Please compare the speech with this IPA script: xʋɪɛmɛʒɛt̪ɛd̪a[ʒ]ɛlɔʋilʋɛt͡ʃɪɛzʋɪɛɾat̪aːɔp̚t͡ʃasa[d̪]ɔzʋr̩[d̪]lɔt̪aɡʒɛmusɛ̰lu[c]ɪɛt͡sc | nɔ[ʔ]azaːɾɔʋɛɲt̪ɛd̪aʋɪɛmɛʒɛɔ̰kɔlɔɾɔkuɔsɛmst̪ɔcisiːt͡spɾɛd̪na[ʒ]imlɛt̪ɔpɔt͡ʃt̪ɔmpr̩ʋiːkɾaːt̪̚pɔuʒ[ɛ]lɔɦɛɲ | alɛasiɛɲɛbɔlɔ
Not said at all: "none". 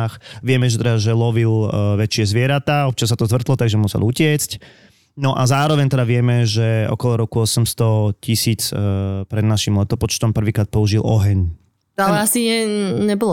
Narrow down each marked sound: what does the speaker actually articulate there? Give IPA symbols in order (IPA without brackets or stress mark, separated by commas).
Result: ʒ, t̪, t̪, c, ʔ, ʃ, i